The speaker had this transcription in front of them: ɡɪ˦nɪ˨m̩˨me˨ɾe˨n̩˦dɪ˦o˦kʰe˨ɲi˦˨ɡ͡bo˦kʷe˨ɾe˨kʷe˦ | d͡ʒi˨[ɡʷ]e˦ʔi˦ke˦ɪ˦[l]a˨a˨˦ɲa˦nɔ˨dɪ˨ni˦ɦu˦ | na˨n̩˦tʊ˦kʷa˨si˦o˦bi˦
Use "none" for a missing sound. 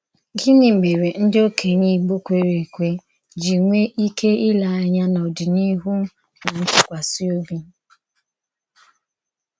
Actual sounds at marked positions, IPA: ŋʷ, l

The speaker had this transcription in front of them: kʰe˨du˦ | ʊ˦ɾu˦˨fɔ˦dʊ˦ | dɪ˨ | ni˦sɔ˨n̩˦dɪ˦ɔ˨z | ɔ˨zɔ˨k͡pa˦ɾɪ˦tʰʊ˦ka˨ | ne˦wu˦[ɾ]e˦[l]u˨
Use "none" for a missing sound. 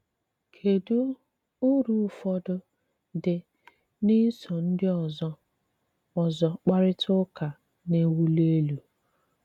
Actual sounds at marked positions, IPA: l, l

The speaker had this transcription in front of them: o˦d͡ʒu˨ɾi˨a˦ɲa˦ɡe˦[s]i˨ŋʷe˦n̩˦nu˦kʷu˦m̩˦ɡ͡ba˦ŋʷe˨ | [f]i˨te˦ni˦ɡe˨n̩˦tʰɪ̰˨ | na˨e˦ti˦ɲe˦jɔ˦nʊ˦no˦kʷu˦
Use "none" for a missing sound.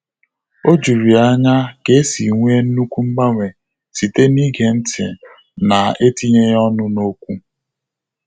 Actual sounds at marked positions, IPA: s, s

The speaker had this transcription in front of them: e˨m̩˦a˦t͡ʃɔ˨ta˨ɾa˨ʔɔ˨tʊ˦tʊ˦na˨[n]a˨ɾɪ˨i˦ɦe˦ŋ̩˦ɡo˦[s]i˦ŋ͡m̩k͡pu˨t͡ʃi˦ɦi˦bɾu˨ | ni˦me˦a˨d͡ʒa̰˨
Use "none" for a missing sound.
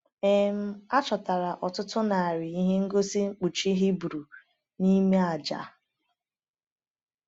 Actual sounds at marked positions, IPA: none, s

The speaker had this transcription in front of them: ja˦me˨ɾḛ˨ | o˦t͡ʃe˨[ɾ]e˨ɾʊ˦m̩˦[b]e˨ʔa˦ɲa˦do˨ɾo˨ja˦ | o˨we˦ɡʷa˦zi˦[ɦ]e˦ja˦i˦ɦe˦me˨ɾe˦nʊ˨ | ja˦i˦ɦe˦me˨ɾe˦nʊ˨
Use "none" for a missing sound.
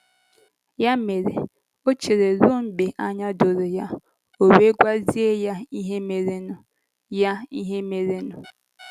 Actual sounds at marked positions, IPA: ɾ, b, none

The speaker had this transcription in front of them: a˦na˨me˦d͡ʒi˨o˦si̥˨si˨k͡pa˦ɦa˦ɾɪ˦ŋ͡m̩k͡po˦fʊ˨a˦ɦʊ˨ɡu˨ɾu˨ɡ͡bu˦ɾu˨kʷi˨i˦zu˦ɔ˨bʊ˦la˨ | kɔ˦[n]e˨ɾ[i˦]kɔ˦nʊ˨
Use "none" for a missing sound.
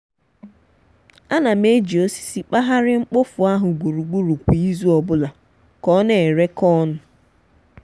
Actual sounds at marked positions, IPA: n, e˦

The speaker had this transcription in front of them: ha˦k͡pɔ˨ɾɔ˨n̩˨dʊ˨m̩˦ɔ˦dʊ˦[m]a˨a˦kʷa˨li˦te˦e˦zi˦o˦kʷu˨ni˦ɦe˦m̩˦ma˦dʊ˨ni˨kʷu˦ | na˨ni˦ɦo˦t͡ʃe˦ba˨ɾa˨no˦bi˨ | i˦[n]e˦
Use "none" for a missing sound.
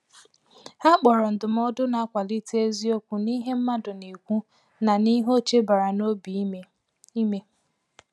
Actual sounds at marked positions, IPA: n, m

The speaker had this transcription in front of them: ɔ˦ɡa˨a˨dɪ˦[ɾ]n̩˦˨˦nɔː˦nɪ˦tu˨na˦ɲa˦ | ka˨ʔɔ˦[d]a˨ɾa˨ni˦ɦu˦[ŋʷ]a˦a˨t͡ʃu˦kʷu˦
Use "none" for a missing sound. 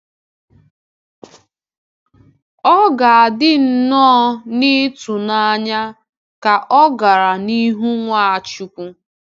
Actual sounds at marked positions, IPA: none, ɡ, ŋʷ

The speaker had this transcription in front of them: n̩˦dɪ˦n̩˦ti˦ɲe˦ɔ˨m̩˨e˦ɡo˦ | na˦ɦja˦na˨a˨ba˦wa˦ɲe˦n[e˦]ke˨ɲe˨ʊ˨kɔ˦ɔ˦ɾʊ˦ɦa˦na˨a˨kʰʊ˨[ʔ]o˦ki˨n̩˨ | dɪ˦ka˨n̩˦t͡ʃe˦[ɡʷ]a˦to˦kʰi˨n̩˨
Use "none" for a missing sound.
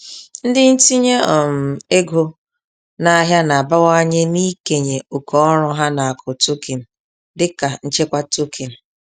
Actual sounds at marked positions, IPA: i˦, t, kʷ

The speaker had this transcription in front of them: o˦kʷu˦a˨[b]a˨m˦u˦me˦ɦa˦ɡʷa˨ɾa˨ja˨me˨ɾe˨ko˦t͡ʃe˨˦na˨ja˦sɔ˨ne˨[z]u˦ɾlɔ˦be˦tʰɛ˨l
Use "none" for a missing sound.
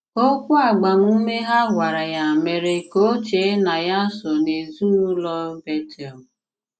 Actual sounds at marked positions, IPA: ɡ͡b, z

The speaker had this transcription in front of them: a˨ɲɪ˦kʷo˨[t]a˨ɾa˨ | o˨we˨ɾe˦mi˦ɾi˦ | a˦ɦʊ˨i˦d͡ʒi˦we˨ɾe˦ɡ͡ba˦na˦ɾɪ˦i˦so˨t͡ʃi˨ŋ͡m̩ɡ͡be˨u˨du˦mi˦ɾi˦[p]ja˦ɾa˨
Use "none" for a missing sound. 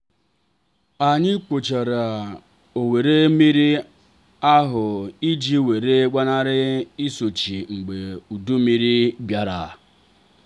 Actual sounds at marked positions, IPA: t͡ʃ, b

